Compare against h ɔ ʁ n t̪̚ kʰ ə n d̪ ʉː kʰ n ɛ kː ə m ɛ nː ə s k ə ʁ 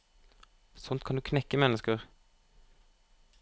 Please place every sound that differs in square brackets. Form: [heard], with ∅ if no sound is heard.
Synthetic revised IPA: [s] ɔ [∅] n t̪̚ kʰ [ɑ] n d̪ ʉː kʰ n ɛ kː ə m ɛ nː ə s k ə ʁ

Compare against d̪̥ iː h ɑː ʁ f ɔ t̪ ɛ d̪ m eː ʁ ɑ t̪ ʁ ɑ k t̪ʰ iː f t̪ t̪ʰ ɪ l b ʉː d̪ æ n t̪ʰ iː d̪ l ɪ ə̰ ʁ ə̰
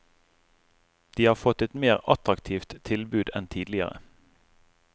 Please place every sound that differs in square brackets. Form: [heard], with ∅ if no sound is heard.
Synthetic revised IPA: d̪̥ iː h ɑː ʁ f ɔ t̪ ɛ [t̪] m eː ʁ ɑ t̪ ʁ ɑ k t̪ʰ iː f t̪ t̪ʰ ɪ l b ʉː d̪ [ɛ] n t̪ʰ iː d̪ l ɪ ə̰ ʁ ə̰

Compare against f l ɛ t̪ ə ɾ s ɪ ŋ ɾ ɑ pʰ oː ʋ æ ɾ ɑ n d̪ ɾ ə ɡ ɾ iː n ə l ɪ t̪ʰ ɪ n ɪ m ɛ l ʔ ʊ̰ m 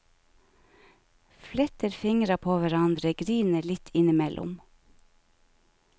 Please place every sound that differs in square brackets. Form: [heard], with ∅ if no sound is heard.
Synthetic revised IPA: f l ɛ t̪ ə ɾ [f] ɪ ŋ ɾ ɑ pʰ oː ʋ æ ɾ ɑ n d̪ ɾ ə ɡ ɾ iː n ə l ɪ t̪ʰ ɪ n ɪ m ɛ l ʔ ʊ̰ m

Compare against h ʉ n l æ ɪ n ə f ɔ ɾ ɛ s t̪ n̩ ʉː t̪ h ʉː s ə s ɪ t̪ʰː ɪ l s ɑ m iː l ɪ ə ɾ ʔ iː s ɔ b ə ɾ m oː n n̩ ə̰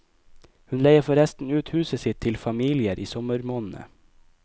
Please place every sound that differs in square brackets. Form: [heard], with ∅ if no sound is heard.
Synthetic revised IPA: h ʉ n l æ ɪ [∅] ə f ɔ ɾ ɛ s t̪ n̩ ʉː t̪ h ʉː s ə s ɪ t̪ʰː ɪ l [f] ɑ m iː l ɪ ə ɾ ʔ iː s ɔ [m] ə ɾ m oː n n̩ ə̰

